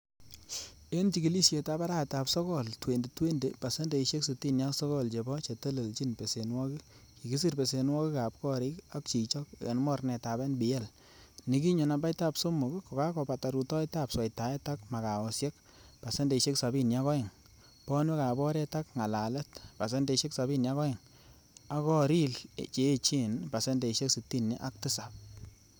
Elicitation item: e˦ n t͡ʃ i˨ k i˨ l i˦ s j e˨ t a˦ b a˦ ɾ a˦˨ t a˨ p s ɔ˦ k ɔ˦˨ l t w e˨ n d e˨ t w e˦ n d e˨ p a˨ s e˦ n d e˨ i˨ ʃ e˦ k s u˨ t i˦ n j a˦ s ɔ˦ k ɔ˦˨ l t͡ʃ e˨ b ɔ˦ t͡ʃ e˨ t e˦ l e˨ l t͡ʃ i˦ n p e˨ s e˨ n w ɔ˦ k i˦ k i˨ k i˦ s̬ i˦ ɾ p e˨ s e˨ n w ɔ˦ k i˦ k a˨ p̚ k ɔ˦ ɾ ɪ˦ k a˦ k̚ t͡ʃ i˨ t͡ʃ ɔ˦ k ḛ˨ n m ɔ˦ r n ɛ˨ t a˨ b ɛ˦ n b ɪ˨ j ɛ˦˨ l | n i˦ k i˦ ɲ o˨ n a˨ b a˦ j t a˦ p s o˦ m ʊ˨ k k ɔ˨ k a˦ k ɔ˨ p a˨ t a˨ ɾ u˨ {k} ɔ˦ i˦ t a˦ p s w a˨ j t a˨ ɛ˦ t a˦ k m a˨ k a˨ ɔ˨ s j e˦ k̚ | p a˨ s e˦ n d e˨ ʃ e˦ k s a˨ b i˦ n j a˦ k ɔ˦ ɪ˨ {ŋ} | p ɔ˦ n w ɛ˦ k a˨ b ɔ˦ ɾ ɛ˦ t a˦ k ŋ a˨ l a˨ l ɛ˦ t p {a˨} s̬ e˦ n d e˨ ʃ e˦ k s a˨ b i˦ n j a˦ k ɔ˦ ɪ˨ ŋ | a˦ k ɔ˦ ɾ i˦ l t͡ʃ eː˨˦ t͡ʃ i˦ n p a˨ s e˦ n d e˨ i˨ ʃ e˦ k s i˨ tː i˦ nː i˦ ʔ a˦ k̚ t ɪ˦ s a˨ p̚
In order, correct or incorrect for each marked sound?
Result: incorrect, correct, correct

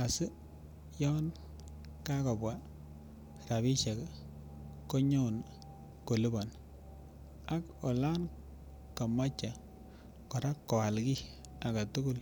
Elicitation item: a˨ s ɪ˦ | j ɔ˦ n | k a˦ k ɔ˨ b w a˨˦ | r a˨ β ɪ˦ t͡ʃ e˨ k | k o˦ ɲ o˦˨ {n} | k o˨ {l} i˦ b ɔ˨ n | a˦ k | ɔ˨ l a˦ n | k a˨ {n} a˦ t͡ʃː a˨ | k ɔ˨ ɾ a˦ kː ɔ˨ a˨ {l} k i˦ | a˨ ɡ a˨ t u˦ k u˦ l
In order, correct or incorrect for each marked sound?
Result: correct, correct, incorrect, correct

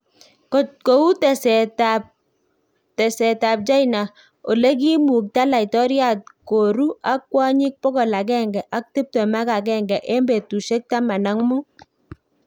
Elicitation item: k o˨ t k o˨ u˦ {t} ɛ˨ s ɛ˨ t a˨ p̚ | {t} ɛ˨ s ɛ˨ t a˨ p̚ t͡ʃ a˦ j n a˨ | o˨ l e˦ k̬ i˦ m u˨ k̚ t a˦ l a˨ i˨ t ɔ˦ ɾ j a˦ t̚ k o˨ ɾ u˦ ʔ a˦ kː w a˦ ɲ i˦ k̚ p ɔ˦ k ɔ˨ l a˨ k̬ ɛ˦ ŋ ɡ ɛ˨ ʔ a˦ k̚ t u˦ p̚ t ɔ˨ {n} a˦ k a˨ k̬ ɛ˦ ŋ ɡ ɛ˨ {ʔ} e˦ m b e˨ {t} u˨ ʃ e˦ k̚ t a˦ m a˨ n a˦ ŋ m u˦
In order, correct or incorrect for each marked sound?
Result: correct, correct, incorrect, correct, correct

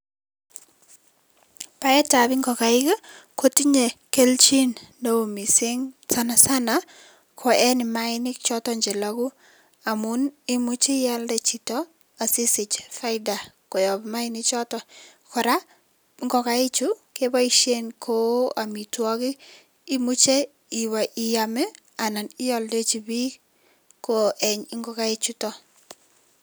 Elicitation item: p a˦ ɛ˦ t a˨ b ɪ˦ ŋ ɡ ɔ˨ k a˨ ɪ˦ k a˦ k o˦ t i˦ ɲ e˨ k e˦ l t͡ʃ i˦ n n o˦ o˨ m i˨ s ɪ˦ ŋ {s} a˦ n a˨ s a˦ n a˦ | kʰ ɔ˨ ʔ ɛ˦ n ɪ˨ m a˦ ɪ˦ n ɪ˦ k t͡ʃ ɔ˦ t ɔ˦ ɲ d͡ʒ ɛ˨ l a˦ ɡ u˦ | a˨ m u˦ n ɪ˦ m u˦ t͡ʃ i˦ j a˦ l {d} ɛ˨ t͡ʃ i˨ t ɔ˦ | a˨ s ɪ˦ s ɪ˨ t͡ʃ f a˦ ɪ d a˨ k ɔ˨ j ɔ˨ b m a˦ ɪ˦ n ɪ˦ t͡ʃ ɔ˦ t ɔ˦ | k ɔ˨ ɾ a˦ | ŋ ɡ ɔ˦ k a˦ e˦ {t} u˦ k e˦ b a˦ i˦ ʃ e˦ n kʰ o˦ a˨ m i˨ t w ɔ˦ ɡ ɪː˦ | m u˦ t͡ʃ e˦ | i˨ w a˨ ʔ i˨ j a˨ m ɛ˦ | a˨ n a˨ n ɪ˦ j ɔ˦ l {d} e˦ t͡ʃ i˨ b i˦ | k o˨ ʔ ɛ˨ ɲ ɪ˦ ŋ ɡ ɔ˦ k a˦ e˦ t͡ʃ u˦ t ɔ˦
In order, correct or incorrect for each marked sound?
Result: correct, correct, incorrect, correct

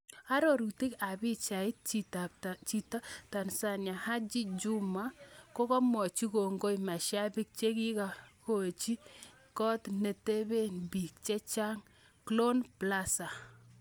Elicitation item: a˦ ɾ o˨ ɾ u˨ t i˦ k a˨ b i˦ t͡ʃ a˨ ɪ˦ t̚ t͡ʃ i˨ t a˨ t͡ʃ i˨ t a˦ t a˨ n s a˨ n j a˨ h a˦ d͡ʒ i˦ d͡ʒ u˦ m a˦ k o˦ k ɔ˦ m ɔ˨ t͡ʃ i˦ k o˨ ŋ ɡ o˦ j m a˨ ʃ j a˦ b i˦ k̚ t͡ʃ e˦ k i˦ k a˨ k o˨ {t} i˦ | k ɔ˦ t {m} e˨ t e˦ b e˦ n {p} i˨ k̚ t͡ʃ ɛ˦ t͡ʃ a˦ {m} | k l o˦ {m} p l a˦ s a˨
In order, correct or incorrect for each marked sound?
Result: incorrect, incorrect, incorrect, incorrect, incorrect

